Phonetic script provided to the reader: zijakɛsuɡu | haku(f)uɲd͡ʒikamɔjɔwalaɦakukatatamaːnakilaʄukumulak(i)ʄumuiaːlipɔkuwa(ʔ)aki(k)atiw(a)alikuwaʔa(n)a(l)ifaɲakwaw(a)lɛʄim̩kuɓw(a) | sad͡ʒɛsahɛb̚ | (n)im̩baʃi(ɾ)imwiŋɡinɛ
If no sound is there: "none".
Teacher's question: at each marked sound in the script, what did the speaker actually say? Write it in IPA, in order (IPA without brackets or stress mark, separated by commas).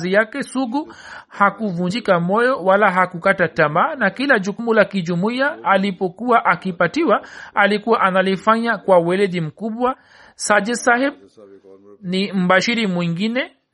v, i, ʔ, p, a, n, l, ɛ, a, n, ɾ